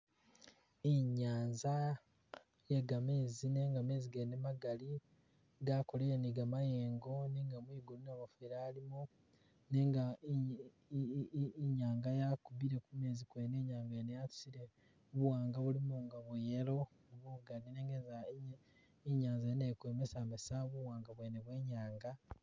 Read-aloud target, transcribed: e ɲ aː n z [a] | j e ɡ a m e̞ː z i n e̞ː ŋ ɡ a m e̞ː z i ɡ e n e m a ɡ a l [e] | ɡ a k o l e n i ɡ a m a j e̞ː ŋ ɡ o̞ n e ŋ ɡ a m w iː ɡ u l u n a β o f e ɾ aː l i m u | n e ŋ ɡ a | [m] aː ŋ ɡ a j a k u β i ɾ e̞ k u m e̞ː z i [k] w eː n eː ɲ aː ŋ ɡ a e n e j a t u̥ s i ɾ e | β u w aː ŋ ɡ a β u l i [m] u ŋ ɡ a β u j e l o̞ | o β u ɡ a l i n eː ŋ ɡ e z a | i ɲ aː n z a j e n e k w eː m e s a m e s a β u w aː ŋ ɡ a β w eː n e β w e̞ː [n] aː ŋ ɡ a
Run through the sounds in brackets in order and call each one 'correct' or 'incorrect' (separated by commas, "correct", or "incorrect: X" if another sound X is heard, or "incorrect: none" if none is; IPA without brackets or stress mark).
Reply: correct, incorrect: i, incorrect: ɲ, correct, correct, incorrect: ɲ